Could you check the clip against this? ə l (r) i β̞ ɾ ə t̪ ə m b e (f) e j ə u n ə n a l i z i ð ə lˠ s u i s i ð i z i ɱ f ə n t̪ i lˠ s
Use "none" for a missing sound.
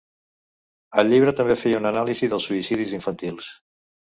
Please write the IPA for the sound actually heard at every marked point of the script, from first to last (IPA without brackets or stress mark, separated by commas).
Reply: ʎ, f